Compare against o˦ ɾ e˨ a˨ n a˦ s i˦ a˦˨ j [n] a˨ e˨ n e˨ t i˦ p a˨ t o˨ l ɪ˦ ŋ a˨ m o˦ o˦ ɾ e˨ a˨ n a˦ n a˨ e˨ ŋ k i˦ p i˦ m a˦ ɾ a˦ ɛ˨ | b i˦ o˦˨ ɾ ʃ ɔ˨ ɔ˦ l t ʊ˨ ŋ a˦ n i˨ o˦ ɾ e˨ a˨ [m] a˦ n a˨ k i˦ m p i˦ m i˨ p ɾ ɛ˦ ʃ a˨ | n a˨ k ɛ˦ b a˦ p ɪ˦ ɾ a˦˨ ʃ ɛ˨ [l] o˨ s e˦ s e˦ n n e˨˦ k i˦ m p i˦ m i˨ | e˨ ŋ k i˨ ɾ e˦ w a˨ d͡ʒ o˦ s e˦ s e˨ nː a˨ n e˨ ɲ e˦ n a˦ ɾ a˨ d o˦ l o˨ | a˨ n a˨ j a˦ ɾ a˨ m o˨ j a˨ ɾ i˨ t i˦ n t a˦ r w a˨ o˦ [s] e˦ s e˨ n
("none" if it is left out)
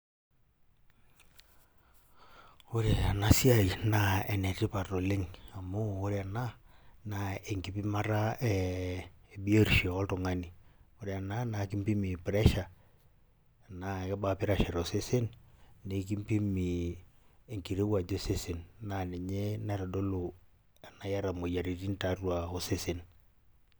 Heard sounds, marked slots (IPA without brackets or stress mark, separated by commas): n, n, ɾ, s